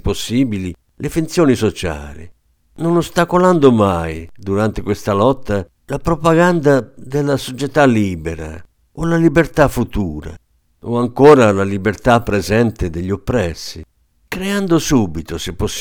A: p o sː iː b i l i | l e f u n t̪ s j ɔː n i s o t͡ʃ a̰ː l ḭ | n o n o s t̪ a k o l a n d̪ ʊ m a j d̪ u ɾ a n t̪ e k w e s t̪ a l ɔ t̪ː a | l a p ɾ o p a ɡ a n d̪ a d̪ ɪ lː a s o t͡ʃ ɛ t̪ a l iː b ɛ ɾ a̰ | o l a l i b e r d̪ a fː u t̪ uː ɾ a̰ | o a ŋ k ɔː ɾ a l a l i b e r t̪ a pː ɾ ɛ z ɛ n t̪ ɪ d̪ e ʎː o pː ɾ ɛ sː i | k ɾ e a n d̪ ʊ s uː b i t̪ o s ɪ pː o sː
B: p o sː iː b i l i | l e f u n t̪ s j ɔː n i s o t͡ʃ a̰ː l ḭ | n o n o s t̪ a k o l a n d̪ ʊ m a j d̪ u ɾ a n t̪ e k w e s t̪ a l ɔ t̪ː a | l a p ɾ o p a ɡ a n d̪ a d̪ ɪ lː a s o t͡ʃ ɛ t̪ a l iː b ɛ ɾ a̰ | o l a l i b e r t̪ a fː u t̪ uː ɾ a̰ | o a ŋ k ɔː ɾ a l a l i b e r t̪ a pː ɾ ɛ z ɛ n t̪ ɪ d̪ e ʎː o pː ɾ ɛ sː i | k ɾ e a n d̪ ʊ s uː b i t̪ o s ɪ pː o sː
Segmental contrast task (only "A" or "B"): B